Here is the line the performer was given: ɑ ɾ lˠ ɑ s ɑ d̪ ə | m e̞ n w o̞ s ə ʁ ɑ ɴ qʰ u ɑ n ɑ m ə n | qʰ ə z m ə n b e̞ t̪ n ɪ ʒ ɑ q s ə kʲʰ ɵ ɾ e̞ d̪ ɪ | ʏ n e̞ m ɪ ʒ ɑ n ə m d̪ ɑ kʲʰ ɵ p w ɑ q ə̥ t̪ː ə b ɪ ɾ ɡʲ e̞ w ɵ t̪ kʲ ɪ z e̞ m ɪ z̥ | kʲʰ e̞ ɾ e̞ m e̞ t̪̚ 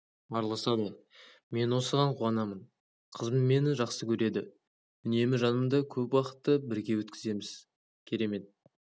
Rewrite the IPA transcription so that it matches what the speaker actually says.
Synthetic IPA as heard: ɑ ɾ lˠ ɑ s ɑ d̪ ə | m e̞ n w o̞ s ə ʁ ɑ ɴ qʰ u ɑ n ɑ m ə n | qʰ ə z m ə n m e̞ n ɪ ʒ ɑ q s ə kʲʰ ɵ ɾ e̞ d̪ ɪ | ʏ n e̞ m ɪ ʒ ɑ n ə m d̪ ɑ kʲʰ ɵ p w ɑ q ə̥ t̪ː ə b ɪ ɾ ɡʲ e̞ w ɵ t̪ kʲ ɪ z e̞ m ɪ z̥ | kʲʰ e̞ ɾ e̞ m e̞ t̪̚